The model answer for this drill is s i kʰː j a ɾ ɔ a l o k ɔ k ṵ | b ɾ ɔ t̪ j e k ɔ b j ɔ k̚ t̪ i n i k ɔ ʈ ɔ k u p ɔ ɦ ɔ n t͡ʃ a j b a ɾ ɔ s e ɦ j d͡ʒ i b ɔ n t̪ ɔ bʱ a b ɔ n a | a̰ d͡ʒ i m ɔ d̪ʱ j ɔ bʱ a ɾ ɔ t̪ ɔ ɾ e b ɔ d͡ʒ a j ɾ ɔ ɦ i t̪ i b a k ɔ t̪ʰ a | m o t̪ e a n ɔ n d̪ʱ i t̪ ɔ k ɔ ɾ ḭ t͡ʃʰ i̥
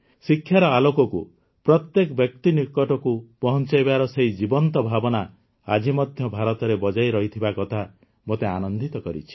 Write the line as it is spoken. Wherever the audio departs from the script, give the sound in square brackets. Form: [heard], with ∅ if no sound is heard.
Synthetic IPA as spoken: s i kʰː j a ɾ ɔ a l o k ɔ k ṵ | [p] ɾ ɔ t̪ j e k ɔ b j ɔ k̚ t̪ i n i k ɔ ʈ ɔ k u p ɔ ɦ ɔ n t͡ʃ a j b a ɾ ɔ s e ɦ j d͡ʒ i b ɔ n t̪ ɔ bʱ a b ɔ n a | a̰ d͡ʒ i m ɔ d̪ʱ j ɔ bʱ a ɾ ɔ t̪ ɔ ɾ e b ɔ d͡ʒ a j ɾ ɔ ɦ i [t̪ʰ] i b a k ɔ t̪ʰ a | m o t̪ e a n ɔ n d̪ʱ i t̪ ɔ k ɔ ɾ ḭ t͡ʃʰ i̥